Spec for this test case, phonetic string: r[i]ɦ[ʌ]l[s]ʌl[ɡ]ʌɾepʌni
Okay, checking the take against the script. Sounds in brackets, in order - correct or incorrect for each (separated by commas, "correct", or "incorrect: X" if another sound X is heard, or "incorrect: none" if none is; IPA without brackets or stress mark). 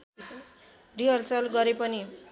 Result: correct, correct, correct, correct